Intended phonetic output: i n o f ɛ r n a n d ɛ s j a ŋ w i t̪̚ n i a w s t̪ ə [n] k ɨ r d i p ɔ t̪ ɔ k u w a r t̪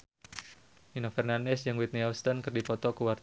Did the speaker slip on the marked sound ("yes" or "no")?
no